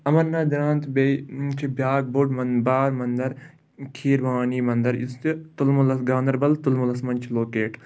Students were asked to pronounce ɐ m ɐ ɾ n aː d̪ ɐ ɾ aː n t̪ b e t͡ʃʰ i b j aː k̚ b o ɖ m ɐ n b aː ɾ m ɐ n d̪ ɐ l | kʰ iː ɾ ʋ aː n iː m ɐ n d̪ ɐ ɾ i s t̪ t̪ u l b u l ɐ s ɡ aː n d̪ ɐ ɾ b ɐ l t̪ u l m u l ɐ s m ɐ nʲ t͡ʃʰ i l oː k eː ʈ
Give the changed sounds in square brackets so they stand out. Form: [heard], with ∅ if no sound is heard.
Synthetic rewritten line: ɐ m ɐ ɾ n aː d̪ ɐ ɾ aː n t̪ b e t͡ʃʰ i b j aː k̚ b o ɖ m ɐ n b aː ɾ m ɐ n d̪ ɐ [ɾ] | kʰ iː ɾ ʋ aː n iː m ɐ n d̪ ɐ ɾ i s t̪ t̪ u l [m] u l ɐ s ɡ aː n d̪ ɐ ɾ b ɐ l t̪ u l m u l ɐ s m ɐ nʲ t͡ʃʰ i l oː k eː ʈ